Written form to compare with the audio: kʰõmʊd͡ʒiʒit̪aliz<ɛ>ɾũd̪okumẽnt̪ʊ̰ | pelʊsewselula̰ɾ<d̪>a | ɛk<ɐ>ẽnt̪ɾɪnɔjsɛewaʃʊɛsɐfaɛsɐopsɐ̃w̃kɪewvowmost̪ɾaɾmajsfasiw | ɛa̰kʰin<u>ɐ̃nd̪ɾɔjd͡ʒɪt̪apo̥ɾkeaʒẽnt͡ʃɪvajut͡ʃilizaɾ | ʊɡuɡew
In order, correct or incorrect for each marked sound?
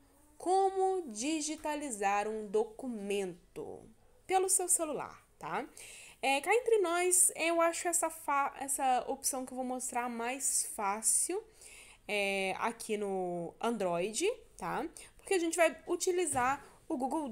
incorrect: a, incorrect: t̪, incorrect: a, incorrect: ʊ

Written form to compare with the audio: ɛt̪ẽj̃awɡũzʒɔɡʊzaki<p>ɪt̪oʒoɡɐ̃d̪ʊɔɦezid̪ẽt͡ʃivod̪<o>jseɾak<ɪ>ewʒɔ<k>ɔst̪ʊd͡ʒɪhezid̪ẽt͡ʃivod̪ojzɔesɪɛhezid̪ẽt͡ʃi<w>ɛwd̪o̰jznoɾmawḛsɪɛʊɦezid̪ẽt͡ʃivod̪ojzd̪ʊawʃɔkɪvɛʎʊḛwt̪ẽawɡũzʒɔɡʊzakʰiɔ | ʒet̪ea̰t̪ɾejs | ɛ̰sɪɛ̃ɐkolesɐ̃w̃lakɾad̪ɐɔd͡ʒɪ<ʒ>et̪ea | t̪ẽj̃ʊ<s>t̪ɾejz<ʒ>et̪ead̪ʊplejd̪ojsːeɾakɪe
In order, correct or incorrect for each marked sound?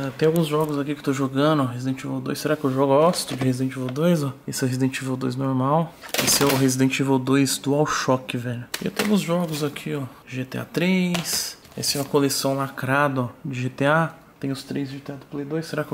incorrect: k, correct, correct, incorrect: ɡ, incorrect: v, correct, correct, correct

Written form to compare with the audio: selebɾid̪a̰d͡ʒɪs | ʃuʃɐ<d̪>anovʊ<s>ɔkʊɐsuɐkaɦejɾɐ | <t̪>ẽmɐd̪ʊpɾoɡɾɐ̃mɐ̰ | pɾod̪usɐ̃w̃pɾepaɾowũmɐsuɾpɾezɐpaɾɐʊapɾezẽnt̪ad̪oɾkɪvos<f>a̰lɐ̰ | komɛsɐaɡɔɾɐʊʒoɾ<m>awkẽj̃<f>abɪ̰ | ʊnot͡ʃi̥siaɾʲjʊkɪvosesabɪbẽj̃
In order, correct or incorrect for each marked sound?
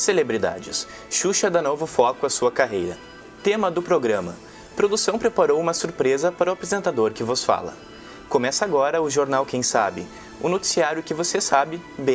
correct, incorrect: f, correct, correct, incorrect: n, incorrect: s

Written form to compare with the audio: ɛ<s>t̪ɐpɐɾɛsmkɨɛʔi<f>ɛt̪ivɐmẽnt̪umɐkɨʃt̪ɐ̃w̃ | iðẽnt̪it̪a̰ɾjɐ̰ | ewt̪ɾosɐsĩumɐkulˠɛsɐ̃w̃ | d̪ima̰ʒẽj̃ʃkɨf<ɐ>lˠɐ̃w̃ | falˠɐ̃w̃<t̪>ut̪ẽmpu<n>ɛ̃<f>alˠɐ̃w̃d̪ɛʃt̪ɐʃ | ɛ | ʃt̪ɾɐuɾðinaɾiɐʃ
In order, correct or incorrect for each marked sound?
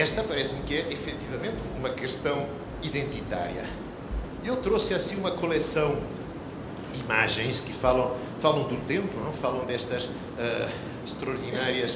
incorrect: ʃ, correct, incorrect: a, incorrect: d̪, correct, correct

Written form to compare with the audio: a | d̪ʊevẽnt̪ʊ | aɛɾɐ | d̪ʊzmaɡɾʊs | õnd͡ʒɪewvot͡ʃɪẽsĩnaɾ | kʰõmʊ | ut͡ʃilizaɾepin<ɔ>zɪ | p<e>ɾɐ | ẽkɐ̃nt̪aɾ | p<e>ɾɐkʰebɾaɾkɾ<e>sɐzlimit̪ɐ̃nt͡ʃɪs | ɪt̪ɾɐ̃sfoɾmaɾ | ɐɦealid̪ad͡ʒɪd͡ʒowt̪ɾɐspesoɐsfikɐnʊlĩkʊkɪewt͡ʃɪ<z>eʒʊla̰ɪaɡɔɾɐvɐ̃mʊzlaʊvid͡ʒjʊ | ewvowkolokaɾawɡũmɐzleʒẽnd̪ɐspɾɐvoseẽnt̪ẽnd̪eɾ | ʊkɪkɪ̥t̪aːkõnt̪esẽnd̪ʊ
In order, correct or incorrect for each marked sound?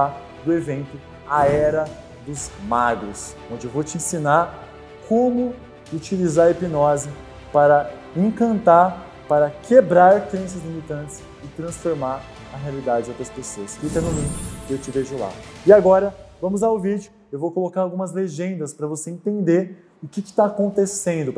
correct, incorrect: a, incorrect: a, incorrect: ẽ, incorrect: v

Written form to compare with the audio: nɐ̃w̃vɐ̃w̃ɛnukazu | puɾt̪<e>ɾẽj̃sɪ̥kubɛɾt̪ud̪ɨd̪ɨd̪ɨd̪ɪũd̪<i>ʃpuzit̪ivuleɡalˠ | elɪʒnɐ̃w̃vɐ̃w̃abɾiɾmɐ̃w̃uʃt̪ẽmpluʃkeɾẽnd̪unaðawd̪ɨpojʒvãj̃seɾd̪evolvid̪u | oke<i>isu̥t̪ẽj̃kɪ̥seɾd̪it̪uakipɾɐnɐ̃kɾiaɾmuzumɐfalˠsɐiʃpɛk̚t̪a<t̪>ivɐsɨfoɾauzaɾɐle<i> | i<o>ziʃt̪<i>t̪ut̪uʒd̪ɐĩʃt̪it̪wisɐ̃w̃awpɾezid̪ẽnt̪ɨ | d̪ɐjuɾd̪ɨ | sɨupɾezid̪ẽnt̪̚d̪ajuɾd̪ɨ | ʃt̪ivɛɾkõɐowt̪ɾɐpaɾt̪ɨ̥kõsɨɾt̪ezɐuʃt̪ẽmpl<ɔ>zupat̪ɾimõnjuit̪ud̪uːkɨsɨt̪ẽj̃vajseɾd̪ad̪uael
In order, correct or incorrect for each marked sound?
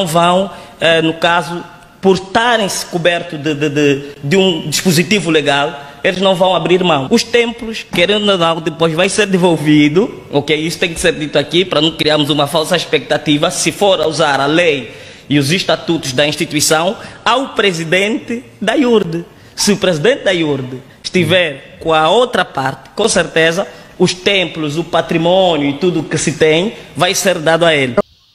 incorrect: a, correct, incorrect: j, correct, incorrect: j, incorrect: u, incorrect: a, incorrect: u

